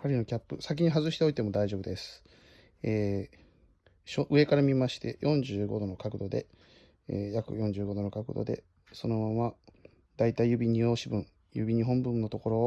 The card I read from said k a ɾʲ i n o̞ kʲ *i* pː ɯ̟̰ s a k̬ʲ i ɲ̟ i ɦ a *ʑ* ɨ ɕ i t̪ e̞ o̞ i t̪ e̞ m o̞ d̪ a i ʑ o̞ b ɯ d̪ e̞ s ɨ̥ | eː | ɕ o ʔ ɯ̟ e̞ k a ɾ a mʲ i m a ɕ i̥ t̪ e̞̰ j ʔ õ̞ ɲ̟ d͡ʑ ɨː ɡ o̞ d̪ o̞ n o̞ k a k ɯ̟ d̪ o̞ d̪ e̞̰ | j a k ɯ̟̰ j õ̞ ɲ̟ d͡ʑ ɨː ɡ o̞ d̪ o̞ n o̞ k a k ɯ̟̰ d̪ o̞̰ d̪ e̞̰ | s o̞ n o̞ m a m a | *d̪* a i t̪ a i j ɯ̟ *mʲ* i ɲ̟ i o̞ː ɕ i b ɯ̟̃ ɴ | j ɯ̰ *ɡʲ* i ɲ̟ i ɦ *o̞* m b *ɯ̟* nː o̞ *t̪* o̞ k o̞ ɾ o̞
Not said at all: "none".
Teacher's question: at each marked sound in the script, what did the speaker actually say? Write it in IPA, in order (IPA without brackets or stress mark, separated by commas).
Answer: a, z, d̪, bʲ, bʲ, õ̞, ɯ̟̃, t̪